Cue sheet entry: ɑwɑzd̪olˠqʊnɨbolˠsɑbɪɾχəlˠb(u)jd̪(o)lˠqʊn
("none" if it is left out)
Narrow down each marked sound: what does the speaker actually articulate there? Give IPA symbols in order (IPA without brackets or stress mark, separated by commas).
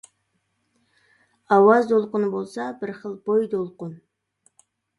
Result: o, o